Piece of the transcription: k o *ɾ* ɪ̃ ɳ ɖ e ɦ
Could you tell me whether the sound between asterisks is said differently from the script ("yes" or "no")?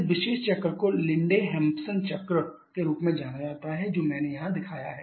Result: yes